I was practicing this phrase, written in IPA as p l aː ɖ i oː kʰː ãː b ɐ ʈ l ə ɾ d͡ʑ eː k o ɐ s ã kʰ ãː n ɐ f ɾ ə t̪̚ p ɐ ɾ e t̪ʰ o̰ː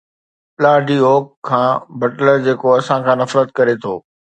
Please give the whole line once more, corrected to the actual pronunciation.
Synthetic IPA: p l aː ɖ i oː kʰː ãː b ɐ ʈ l ə ɾ d͡ʑ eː k o ɐ s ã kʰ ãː n ɐ f ɾ ə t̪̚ k ɐ ɾ e t̪ʰ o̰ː